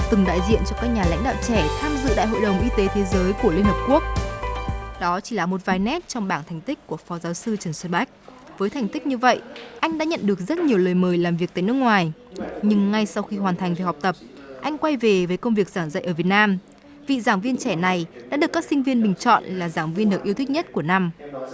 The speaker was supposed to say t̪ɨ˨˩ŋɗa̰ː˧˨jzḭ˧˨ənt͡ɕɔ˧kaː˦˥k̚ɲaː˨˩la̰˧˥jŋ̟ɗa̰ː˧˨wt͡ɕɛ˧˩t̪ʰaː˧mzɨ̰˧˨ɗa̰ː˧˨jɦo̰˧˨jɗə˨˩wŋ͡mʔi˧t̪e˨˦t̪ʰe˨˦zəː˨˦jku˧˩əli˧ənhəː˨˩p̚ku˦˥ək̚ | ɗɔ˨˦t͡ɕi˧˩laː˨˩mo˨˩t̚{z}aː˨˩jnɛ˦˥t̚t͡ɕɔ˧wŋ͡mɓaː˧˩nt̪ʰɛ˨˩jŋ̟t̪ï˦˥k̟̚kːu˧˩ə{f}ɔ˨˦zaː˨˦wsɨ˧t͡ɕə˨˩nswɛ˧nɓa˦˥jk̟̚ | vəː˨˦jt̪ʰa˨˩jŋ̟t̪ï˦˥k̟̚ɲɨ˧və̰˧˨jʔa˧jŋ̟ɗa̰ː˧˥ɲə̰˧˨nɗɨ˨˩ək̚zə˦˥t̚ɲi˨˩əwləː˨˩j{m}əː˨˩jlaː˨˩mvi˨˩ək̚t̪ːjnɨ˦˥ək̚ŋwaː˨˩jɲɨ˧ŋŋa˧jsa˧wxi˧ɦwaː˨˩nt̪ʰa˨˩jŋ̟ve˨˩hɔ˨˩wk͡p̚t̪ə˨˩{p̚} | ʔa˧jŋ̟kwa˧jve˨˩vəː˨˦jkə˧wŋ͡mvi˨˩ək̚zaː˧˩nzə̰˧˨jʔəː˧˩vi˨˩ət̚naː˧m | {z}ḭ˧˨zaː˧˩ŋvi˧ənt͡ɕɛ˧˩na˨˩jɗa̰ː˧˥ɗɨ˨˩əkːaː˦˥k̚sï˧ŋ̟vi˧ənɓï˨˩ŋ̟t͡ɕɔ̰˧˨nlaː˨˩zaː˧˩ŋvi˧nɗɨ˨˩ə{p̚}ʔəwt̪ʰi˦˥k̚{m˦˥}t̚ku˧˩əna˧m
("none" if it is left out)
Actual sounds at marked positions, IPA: v, f, m, p̚, v, k̚, ɲ˦˥

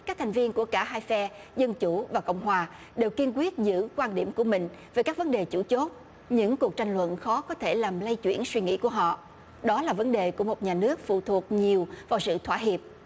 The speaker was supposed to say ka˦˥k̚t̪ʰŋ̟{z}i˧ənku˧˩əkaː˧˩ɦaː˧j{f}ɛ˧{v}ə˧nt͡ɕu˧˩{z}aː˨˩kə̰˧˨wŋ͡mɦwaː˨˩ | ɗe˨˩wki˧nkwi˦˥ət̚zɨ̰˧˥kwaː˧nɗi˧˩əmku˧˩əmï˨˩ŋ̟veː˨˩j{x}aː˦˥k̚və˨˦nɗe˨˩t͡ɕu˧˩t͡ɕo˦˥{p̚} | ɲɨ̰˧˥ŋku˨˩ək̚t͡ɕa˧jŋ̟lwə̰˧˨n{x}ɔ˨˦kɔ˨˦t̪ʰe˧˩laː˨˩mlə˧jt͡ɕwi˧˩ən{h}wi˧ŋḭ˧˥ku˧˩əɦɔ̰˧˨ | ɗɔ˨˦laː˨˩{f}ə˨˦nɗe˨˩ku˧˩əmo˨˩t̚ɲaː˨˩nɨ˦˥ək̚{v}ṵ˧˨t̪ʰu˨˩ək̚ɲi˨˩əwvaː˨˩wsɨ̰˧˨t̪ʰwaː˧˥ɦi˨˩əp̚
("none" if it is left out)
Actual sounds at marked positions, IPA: v, f, z, v, k, t̚, x, s, v, f

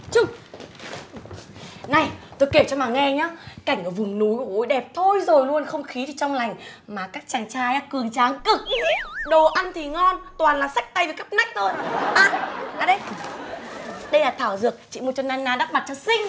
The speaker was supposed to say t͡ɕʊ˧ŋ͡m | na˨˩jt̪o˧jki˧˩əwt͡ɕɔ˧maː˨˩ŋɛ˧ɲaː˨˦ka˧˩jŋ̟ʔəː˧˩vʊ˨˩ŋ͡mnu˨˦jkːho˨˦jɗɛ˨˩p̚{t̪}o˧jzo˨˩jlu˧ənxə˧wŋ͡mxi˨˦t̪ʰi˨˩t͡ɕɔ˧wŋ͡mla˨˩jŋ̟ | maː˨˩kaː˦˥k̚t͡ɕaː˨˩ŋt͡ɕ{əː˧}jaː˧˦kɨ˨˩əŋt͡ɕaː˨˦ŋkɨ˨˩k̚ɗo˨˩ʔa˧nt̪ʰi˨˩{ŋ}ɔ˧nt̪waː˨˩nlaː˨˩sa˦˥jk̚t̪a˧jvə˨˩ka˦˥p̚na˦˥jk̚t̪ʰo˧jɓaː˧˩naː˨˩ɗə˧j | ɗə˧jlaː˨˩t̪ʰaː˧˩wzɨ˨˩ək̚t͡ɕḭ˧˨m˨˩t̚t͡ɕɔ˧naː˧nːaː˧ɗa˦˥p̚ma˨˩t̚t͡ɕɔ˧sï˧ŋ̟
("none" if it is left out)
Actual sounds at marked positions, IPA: t̪ʰ, aː˧, ŋ

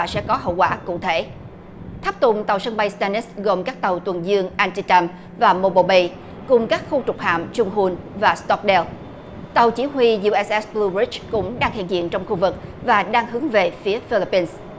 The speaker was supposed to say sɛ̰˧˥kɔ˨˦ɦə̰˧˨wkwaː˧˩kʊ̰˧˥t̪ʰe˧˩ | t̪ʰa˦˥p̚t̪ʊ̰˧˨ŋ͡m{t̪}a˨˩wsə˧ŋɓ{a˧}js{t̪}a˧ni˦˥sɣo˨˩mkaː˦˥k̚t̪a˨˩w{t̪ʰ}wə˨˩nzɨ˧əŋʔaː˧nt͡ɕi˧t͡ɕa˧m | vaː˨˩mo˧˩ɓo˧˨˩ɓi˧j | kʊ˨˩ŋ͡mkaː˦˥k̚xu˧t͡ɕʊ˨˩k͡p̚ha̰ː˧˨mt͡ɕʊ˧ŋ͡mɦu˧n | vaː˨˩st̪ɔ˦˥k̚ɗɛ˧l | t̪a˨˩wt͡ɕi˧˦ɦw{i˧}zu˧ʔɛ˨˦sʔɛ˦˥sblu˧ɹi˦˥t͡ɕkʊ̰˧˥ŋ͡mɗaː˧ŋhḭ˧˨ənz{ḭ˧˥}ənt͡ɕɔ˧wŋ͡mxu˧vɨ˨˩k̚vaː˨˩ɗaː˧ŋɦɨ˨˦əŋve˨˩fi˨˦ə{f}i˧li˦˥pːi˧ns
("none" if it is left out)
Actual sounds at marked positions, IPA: t̪, a˧, t̪, t̪, i˧, ḭ˧˨, f

